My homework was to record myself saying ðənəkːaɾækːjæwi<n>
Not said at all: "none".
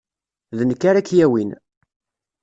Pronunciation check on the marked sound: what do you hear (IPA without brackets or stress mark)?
n